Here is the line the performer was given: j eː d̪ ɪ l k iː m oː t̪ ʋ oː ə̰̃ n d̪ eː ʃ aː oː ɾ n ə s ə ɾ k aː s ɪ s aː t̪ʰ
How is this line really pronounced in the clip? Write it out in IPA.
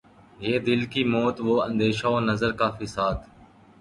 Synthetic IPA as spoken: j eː d̪ ɪ l k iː m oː t̪ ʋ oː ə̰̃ n d̪ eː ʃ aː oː n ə z ə ɾ k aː f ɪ s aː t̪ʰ